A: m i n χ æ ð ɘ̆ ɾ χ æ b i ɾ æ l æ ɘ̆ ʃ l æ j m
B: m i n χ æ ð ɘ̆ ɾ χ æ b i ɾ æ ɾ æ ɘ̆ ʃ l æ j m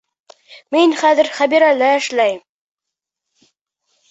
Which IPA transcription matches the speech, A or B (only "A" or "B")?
A